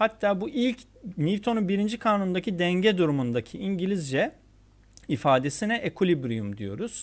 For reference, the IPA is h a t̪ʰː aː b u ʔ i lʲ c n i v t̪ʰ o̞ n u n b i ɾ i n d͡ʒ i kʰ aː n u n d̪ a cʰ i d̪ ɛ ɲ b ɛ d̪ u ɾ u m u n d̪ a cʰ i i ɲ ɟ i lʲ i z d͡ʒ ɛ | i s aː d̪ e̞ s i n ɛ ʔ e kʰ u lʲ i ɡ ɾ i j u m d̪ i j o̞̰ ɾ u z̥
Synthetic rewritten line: h a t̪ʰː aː b u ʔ i lʲ c n i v t̪ʰ o̞ n u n b i ɾ i n d͡ʒ i kʰ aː n u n d̪ a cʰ i d̪ ɛ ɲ ɟ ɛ d̪ u ɾ u m u n d̪ a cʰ i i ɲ ɟ i lʲ i z d͡ʒ ɛ | i f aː d̪ e̞ s i n ɛ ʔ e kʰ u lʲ i b ɾ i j u m d̪ i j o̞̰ ɾ u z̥